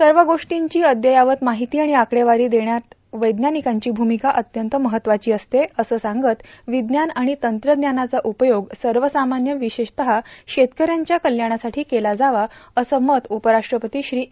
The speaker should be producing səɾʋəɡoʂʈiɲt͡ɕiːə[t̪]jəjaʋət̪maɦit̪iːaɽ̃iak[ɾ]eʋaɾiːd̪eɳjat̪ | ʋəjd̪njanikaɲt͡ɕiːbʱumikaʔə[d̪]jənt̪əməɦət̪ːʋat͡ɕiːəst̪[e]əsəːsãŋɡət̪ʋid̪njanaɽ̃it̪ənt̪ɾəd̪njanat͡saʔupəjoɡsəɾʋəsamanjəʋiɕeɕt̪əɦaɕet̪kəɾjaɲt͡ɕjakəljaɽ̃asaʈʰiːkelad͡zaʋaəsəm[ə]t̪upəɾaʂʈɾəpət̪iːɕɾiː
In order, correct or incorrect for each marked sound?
incorrect, incorrect, incorrect, correct, correct

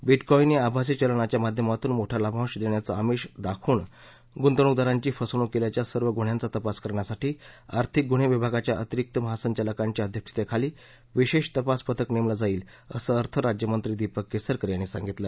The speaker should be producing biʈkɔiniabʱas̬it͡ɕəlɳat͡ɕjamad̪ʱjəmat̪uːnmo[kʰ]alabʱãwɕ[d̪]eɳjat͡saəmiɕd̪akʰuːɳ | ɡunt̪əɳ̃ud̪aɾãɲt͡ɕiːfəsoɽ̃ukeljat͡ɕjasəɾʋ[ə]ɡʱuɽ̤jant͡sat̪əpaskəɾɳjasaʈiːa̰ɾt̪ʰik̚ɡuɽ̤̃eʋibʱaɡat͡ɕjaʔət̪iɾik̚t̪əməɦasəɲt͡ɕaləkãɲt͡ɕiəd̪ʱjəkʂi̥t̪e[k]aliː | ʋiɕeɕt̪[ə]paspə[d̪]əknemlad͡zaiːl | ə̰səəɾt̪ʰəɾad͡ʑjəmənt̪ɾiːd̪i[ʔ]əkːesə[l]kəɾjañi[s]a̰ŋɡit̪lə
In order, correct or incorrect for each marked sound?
incorrect, correct, correct, incorrect, correct, incorrect, incorrect, incorrect, correct

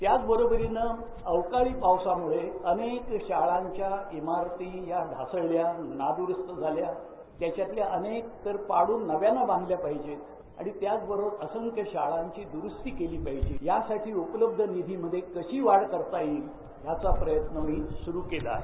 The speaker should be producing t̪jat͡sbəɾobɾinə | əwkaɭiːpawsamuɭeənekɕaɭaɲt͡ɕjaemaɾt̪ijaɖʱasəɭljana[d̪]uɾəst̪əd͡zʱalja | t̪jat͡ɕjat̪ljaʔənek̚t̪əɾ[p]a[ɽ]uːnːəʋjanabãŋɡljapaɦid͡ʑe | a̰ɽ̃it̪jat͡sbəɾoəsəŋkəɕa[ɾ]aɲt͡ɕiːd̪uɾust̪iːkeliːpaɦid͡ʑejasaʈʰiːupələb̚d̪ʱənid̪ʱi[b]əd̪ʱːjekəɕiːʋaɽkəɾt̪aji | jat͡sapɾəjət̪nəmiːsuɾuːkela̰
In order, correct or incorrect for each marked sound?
correct, correct, correct, incorrect, incorrect

